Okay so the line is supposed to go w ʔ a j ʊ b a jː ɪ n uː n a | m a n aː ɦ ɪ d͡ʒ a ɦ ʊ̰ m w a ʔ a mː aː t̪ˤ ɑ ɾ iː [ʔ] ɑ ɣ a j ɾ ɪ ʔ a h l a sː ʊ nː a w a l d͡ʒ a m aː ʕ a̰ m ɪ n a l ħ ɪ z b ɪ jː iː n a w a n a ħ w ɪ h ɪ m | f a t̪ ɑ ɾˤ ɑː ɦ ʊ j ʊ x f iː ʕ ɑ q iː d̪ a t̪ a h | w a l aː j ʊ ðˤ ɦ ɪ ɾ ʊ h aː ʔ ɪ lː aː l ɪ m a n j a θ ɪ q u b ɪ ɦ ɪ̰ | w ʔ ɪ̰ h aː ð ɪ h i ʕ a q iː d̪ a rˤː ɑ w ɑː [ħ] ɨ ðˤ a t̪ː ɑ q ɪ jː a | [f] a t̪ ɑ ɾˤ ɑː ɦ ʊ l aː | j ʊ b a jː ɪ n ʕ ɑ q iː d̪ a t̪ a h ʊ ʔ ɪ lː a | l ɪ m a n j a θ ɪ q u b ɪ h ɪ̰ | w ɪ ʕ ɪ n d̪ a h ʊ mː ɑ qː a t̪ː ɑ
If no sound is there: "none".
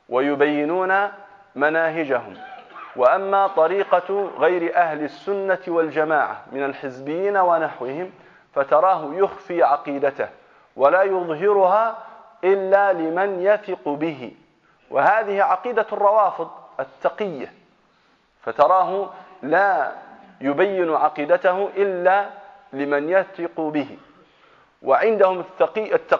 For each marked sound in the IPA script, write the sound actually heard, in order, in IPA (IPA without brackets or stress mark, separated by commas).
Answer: q, f, f